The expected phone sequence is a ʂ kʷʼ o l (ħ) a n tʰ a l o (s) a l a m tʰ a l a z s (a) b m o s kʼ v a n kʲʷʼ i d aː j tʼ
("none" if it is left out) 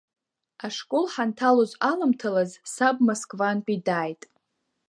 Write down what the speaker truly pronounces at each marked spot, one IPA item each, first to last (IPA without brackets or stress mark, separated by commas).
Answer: ħ, z, a